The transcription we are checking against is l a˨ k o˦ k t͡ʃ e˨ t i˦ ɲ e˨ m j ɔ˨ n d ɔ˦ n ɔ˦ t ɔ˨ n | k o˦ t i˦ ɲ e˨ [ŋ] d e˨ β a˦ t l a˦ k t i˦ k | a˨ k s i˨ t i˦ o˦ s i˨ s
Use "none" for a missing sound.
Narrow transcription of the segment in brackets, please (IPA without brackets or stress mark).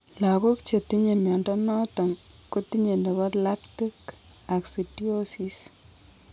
n